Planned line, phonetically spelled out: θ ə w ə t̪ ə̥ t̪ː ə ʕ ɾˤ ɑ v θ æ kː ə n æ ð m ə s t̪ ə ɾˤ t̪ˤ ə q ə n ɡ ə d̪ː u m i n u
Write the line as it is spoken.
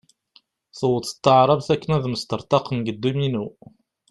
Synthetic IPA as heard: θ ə w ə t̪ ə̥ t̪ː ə ʕ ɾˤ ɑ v θ æ kː ə n æ ð m ə s t̪ ə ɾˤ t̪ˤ ɑ q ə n ɡ ə d̪ː u m i n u